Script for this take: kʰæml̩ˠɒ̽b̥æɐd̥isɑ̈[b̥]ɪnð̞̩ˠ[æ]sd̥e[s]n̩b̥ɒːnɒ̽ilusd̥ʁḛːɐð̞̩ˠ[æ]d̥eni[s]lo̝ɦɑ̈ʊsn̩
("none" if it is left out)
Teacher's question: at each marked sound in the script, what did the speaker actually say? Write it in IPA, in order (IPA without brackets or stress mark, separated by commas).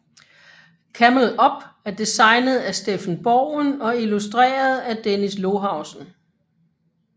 none, æ, f, æ, s